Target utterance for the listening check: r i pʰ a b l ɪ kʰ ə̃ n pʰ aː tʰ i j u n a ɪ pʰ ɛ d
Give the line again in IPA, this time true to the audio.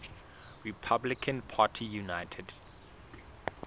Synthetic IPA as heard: ɹ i pʰ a b l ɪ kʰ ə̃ n pʰ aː tʰ i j u n a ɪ tʰ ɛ d